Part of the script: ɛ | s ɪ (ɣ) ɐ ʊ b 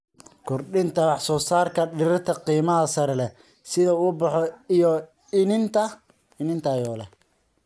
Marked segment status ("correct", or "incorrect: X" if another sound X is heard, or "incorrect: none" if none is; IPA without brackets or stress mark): incorrect: ð